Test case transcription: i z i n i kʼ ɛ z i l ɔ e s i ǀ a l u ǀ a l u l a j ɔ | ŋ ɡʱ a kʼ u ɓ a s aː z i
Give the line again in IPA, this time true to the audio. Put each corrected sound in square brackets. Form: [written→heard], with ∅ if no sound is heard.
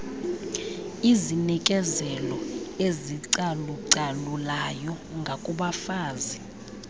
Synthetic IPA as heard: i z i n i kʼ ɛ z [i→ɛ] l ɔ e [s→z] i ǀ a l u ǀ a l u l a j ɔ | ŋ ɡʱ a kʼ u ɓ a [s→f] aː z i